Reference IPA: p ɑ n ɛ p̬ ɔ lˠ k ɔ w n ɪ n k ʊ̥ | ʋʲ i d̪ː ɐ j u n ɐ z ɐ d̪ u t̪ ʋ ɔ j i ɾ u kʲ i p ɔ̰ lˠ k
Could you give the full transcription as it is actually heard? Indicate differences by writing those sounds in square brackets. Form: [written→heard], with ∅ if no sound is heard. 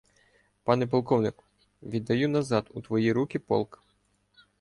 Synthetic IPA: p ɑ n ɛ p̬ ɔ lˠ k ɔ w n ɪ [n→∅] k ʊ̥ | ʋʲ i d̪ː ɐ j u n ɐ z [ɐ→ɑ] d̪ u t̪ ʋ ɔ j i ɾ u kʲ i p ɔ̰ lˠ k